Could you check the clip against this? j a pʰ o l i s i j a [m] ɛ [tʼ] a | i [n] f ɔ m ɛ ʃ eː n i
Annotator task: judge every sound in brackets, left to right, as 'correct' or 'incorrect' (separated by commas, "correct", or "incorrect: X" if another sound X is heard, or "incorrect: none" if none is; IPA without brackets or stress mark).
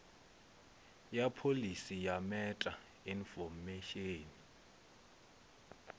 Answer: correct, correct, correct